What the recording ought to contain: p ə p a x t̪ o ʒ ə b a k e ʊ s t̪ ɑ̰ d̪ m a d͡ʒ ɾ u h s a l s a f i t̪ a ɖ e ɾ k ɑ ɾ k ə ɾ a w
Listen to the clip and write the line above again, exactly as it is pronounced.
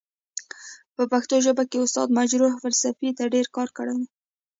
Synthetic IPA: p ə p a x t̪ o ʒ ə b a k e ʊ s t̪ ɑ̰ d̪ m a d͡ʒ ɾ u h f a l s a f i t̪ a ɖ e ɾ k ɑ ɾ k ə ɽ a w